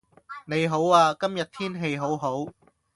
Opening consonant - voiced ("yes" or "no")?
yes